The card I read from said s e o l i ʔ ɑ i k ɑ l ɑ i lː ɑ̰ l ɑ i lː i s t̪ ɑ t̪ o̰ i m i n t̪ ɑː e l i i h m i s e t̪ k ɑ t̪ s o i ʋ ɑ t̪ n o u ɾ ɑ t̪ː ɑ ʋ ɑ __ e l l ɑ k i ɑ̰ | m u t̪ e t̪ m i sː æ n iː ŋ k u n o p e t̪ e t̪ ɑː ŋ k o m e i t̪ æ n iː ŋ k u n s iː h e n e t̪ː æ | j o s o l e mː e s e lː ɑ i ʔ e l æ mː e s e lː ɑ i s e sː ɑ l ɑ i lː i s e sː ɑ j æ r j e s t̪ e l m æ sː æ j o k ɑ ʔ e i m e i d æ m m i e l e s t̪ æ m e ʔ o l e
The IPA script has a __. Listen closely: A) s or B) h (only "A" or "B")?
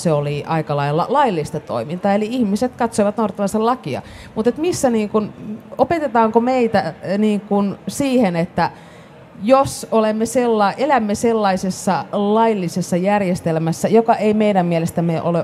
A